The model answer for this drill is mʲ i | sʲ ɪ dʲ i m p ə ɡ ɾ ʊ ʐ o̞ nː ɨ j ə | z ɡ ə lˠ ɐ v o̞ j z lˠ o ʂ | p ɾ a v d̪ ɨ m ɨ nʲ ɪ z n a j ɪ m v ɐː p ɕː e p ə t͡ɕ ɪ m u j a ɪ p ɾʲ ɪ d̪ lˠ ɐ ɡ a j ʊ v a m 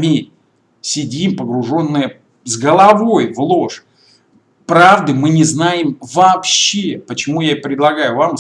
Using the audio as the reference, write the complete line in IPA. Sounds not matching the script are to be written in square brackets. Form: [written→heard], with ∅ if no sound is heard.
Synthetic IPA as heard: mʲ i | sʲ ɪ dʲ i m p ə ɡ ɾ ʊ ʐ o̞ nː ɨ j ə | z ɡ ə lˠ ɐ v o̞ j [z→v] lˠ o ʂ | p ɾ a v d̪ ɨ m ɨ nʲ ɪ z n a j ɪ m v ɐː p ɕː e p ə t͡ɕ ɪ m u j a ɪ p ɾʲ ɪ d̪ lˠ ɐ ɡ a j ʊ v a m